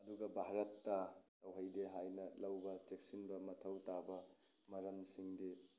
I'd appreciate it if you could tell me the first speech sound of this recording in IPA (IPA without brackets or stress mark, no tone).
ɐ